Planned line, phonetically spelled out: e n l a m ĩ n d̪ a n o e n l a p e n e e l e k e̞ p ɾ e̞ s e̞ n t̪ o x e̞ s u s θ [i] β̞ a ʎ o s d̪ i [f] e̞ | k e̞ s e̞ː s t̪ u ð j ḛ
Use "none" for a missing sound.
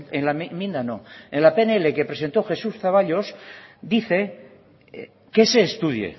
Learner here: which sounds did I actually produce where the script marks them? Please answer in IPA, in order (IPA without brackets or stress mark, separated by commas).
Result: a, θ